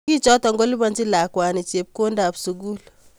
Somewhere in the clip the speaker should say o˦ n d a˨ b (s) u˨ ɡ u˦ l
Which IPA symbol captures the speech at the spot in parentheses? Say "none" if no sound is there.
s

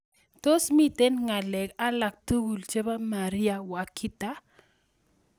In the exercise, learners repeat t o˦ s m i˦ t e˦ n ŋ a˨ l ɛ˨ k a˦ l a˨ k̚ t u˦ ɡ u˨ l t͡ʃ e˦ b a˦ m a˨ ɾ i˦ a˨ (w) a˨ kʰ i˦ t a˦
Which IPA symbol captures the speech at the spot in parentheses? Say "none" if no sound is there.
w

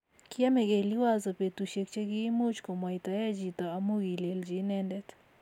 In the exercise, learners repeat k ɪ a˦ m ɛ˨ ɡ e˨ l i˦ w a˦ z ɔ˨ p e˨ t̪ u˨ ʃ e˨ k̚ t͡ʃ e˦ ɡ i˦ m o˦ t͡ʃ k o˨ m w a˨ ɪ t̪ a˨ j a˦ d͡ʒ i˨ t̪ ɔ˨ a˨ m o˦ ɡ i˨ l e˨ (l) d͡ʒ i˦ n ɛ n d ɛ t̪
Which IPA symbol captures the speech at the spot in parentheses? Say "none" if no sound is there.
l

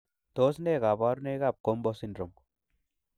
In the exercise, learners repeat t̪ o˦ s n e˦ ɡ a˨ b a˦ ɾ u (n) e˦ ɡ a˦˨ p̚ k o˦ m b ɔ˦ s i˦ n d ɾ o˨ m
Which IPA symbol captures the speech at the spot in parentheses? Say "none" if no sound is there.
n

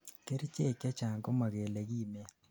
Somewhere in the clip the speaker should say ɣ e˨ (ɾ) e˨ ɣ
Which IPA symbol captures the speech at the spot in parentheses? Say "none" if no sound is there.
l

